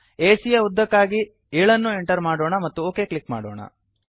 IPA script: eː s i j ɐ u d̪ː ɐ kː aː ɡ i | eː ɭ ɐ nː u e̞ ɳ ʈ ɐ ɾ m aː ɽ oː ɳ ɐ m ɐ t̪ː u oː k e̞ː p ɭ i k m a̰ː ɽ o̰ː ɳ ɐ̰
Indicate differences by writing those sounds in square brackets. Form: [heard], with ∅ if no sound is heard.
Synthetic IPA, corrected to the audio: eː s i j ɐ u d̪ː ɐ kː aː ɡ i | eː ɭ ɐ nː u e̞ ɳ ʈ ɐ ɾ m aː ɽ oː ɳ ɐ m ɐ t̪ː u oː k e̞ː [k] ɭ i k m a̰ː ɽ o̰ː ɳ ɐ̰